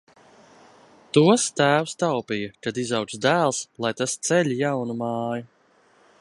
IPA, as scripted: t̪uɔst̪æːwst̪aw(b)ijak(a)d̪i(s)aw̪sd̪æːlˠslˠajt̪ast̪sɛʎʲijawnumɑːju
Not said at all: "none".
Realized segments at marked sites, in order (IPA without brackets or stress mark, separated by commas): p, a, z